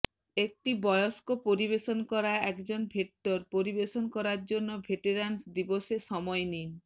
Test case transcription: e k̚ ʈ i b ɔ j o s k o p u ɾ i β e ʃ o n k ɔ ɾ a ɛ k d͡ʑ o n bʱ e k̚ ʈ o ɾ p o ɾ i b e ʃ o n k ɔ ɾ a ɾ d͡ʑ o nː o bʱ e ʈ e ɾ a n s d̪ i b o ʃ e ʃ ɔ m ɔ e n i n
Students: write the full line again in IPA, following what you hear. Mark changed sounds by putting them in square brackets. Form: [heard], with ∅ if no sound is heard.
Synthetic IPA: e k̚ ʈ i b ɔ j o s k o p [o] ɾ i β e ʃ o n k ɔ ɾ a ɛ k d͡ʑ o n bʱ e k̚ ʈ o ɾ p o ɾ i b e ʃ o n k ɔ ɾ a ɾ d͡ʑ o nː o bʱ e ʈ e ɾ a n s d̪ i b o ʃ e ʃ ɔ m ɔ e n i n